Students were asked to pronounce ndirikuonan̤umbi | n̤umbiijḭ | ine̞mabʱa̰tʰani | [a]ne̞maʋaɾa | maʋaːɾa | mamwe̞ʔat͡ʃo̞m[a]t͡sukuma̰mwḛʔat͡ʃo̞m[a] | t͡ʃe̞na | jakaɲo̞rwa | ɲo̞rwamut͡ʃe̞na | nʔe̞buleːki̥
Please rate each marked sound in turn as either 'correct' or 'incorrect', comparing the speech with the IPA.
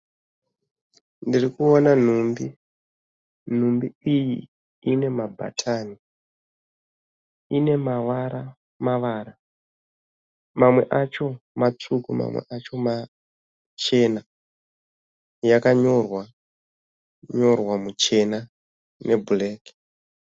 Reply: incorrect: i, correct, correct

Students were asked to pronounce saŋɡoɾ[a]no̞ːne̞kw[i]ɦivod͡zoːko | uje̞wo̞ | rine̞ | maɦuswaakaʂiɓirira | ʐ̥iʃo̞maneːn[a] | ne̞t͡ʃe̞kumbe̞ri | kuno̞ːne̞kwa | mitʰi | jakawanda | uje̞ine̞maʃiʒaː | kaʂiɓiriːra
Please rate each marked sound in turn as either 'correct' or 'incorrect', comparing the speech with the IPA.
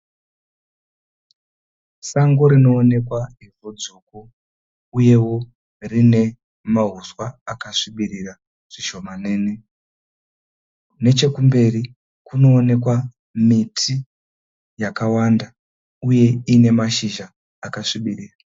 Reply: incorrect: i, incorrect: a, incorrect: e

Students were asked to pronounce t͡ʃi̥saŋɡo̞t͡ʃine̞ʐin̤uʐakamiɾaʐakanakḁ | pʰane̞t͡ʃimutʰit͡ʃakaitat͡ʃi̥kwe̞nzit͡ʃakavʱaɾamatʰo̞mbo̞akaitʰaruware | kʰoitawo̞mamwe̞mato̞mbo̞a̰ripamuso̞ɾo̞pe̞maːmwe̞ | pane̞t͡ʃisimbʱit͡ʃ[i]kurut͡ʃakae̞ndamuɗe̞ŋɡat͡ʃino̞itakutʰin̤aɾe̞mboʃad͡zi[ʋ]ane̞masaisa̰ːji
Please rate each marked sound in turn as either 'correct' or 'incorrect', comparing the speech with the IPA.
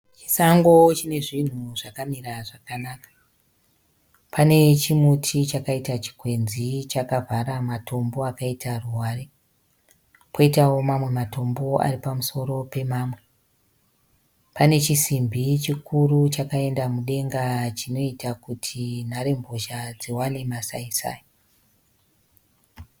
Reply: correct, incorrect: w

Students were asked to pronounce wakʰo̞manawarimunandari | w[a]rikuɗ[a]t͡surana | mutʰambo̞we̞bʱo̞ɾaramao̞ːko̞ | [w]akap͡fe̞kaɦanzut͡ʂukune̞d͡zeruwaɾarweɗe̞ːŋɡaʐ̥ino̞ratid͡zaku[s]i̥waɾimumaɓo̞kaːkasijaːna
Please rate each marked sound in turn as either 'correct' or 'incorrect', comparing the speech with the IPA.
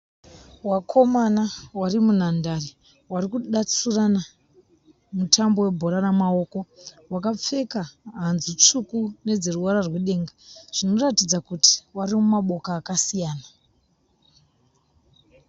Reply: correct, correct, correct, incorrect: t

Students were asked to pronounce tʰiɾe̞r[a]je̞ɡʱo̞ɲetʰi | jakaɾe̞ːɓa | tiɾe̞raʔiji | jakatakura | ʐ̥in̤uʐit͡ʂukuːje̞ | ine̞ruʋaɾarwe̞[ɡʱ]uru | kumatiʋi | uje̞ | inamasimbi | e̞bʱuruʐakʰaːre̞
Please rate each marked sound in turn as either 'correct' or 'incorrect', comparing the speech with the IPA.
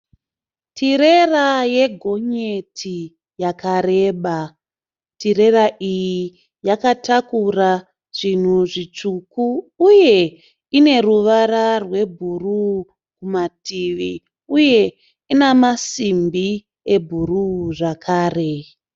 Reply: correct, incorrect: bʱ

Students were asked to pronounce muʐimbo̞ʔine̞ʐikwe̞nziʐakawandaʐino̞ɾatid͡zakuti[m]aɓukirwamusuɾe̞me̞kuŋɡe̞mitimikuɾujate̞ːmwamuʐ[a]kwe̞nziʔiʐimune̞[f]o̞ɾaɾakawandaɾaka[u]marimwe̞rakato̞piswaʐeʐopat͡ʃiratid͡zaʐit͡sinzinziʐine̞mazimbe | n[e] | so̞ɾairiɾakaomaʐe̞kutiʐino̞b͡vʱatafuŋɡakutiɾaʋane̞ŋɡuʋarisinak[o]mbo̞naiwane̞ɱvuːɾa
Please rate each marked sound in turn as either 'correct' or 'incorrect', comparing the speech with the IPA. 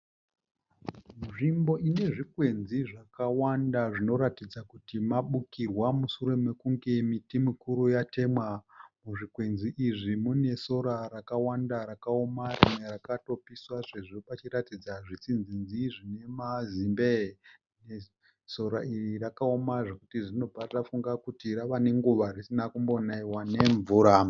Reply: correct, incorrect: i, incorrect: s, incorrect: o, correct, incorrect: u

